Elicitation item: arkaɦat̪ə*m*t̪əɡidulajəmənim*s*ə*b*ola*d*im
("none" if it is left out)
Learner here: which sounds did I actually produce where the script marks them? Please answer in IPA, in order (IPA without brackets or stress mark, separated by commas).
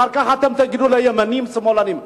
m, s, m, n